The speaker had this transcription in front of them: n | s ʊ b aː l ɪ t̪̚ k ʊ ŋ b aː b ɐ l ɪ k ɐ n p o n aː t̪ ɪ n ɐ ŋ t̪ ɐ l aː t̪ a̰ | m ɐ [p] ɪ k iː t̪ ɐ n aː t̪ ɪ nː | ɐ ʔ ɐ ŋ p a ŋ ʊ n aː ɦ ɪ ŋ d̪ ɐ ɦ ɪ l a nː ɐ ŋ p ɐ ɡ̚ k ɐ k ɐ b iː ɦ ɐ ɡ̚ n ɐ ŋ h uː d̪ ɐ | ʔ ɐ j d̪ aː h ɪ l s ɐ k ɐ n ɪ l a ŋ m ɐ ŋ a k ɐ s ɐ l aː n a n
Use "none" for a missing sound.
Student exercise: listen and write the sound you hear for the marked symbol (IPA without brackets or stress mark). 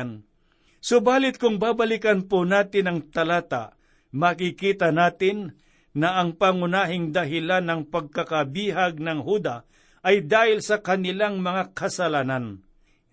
k